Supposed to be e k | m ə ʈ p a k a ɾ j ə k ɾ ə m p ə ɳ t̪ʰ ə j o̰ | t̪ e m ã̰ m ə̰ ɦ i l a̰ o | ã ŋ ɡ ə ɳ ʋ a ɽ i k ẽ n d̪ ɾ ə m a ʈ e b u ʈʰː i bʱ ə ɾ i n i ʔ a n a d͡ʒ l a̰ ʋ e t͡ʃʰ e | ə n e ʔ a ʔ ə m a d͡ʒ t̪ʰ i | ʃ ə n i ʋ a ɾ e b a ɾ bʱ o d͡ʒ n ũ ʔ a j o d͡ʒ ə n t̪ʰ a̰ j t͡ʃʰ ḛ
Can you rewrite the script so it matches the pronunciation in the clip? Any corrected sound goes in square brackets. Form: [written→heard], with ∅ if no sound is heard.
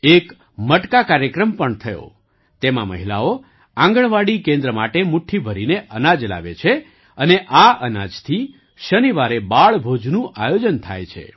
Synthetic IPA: e k | m ə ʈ [p→k] a k a ɾ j ə k ɾ ə m p ə ɳ t̪ʰ ə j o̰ | t̪ e m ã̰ m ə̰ ɦ i l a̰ o | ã ŋ ɡ ə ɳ ʋ a ɽ i k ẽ n d̪ ɾ ə m a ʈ e [b→m] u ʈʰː i bʱ ə ɾ i n [i→e] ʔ [a→ə] n a d͡ʒ l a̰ ʋ e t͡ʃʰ e | ə n e ʔ a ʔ ə [m→n] a d͡ʒ t̪ʰ i | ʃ ə n i ʋ a ɾ e b a [ɾ→ɭ] bʱ o d͡ʒ n ũ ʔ a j o d͡ʒ ə n t̪ʰ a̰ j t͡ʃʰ ḛ